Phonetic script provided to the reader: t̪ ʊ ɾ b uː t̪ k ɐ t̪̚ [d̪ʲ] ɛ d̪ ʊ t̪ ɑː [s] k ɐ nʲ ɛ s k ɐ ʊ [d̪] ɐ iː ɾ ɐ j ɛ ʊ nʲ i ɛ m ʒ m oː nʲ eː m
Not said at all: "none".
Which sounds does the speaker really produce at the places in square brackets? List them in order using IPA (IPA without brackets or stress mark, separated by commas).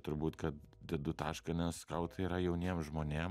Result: d̪ʲ, ʃ, t̪